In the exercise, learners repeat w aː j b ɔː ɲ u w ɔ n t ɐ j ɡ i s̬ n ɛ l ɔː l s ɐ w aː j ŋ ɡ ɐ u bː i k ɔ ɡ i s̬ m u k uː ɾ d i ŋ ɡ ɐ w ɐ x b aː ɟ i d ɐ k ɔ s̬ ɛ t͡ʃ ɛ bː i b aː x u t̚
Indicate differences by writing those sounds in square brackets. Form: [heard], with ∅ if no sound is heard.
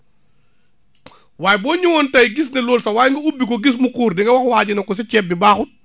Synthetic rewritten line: w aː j b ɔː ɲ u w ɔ n t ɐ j ɡ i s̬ n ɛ l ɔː l s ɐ w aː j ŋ ɡ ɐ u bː i k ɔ ɡ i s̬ m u k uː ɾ d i ŋ ɡ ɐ w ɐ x [w] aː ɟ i [n] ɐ k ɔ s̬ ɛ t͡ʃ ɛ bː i b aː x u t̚